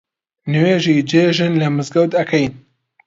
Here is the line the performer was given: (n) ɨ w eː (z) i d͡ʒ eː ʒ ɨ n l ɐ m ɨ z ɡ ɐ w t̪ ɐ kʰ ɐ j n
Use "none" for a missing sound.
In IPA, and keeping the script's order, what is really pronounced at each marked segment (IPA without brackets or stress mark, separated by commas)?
n, ʒ